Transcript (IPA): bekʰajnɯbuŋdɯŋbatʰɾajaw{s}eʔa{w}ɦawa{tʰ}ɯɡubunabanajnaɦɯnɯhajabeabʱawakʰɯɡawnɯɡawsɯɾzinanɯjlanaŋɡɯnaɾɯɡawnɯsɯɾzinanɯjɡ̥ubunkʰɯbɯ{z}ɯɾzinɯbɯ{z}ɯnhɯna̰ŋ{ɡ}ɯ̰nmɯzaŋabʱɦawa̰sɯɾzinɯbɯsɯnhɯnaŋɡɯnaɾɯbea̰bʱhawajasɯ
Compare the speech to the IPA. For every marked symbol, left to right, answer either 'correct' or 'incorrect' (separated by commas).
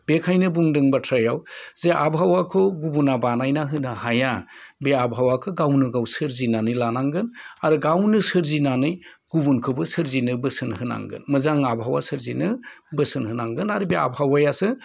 incorrect, incorrect, incorrect, incorrect, incorrect, correct